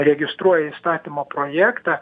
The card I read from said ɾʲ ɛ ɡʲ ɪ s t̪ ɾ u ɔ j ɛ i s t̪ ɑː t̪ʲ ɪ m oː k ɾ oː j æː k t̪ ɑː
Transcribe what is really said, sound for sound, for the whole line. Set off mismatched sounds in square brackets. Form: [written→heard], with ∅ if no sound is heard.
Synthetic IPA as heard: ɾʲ ɛ ɡʲ ɪ s t̪ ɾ u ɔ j ɛ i s t̪ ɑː t̪ʲ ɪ m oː [k→p] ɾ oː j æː k t̪ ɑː